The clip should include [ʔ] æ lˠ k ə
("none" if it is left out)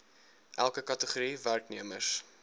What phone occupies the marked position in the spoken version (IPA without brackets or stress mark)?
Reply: ʔ